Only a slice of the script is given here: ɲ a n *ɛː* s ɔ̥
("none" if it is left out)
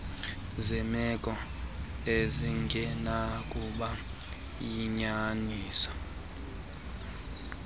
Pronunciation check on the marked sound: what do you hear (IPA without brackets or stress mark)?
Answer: iː